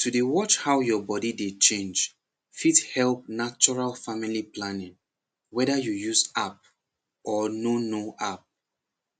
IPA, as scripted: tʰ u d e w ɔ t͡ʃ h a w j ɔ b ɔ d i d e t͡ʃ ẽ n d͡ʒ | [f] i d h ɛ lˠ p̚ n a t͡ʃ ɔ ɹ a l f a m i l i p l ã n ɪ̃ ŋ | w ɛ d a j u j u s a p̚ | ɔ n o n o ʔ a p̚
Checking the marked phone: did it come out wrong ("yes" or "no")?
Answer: no